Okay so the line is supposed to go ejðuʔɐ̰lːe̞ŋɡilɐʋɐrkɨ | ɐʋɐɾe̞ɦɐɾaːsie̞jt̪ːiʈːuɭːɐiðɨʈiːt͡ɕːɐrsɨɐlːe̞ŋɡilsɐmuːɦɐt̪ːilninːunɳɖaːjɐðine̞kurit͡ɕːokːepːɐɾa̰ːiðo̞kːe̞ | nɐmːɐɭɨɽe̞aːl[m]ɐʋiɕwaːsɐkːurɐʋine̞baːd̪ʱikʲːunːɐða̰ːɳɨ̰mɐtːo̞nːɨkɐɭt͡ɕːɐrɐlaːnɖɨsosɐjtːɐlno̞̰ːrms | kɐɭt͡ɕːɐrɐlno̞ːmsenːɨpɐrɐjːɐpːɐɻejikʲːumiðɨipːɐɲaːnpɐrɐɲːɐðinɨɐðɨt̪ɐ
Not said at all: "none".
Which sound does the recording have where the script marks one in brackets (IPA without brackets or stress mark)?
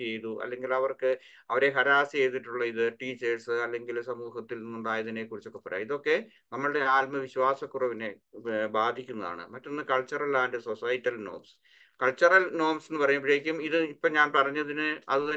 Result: m